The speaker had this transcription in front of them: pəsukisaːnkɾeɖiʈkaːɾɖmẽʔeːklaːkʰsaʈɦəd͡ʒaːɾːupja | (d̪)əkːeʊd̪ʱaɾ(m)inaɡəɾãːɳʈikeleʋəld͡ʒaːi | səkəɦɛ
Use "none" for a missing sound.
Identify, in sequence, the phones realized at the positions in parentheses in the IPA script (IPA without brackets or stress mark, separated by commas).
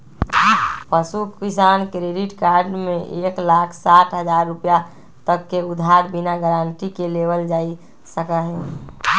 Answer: t̪, b